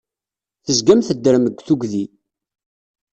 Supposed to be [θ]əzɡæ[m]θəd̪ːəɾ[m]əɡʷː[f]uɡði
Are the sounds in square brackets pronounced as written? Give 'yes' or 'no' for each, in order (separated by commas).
yes, yes, yes, no